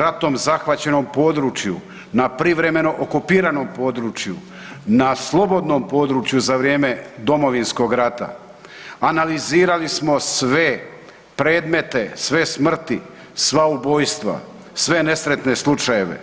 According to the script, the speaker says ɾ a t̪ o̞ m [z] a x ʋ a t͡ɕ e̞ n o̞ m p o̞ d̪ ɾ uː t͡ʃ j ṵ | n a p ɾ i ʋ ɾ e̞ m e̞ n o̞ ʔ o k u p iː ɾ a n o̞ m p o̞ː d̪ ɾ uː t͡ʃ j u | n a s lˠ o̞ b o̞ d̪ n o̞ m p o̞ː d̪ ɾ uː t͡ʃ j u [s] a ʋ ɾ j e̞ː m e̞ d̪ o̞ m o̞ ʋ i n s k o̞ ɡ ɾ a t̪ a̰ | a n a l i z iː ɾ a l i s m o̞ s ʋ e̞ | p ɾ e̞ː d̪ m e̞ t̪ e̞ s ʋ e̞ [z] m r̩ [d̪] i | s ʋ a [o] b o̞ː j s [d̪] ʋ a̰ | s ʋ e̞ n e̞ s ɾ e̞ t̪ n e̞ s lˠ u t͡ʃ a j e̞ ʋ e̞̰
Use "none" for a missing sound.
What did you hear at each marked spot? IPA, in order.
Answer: z, z, s, t̪, u, t̪

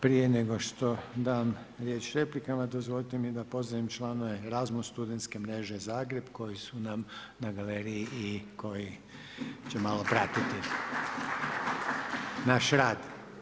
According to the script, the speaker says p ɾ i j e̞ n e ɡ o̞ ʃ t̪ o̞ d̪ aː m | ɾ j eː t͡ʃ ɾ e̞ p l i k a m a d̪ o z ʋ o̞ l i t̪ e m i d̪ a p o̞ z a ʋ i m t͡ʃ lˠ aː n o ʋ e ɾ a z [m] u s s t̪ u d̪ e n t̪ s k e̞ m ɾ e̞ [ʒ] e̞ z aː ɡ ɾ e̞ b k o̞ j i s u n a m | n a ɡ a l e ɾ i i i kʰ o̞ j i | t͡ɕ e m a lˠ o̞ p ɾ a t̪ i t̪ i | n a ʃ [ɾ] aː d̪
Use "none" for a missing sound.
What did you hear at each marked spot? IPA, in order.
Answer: m, ʒ, ɾ

